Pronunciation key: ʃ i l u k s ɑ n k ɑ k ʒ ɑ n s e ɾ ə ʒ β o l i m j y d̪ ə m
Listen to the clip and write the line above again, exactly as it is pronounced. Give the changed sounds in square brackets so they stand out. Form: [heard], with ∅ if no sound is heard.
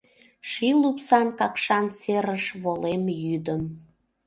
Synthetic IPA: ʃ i l u [p] s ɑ n k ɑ k [ʃ] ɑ n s e ɾ ə [ʃ] β o l [e] m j y d̪ ə m

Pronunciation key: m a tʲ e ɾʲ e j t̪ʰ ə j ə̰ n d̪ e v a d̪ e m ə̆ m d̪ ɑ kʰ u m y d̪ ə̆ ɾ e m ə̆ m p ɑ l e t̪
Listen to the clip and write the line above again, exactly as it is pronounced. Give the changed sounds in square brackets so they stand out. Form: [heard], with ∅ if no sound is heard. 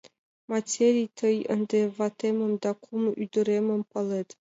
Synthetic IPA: m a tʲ e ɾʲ [i] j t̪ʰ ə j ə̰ n d̪ e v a [t̪] e m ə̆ m d̪ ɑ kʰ u m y d̪ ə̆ ɾ e m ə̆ m p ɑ l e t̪

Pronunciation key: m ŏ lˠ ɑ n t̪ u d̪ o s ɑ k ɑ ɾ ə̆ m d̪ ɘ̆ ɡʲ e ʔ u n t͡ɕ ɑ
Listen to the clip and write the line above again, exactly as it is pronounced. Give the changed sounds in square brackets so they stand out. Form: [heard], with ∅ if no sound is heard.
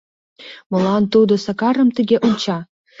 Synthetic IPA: m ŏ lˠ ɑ n t̪ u d̪ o s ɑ k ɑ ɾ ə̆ m [t̪] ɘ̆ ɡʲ e ʔ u n t͡ɕ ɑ

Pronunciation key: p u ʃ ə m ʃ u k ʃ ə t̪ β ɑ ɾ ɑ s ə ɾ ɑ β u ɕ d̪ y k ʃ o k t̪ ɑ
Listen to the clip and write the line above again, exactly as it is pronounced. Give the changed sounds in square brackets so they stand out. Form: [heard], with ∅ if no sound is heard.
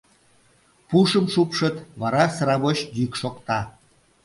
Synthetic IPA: p u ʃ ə m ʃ u [p] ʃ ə t̪ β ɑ ɾ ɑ s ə ɾ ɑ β [o] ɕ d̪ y k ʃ o k t̪ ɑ

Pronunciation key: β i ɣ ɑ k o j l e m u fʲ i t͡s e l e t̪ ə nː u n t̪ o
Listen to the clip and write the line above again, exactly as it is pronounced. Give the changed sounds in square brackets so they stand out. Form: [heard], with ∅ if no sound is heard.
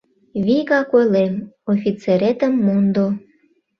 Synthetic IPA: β i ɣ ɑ k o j l e m [o] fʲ i t͡s e [ɾ] e t̪ ə [mː] u n [d̪] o

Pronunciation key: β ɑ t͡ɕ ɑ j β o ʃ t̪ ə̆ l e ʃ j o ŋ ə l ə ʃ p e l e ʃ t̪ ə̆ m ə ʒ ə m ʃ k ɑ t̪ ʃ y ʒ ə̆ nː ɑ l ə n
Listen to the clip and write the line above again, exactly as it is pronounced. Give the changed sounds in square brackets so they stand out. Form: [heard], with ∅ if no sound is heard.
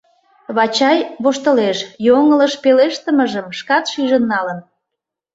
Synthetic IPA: β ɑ t͡ɕ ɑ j β o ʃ t̪ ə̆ l e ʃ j o ŋ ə l ə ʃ p e l e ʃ t̪ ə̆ m ə ʒ ə m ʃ k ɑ t̪ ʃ y ʒ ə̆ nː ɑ l ə n

